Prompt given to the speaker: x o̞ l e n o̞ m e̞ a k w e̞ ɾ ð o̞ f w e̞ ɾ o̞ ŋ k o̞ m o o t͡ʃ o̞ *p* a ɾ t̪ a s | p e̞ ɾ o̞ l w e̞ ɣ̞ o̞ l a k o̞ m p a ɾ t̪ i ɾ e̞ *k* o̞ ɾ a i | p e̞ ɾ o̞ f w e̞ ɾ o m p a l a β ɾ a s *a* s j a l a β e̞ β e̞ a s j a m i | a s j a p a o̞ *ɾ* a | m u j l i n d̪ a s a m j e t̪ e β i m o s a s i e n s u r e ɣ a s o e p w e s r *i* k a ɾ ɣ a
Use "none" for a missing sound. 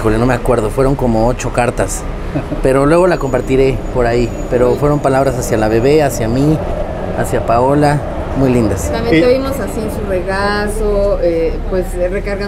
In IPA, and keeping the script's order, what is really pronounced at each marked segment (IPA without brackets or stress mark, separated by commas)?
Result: k, p, a, l, e